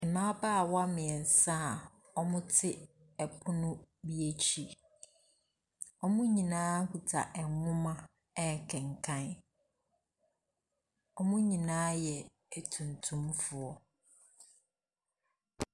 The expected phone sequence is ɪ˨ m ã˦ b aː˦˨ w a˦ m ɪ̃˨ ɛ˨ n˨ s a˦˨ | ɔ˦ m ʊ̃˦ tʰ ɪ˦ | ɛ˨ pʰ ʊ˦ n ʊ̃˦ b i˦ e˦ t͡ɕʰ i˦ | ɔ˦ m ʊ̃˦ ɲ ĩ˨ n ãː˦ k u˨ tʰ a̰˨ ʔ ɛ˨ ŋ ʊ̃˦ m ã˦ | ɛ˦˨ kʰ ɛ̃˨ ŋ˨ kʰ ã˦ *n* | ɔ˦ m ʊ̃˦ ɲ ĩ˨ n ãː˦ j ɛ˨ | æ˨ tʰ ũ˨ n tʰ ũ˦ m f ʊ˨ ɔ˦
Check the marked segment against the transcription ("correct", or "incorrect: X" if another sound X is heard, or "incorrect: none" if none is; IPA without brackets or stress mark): correct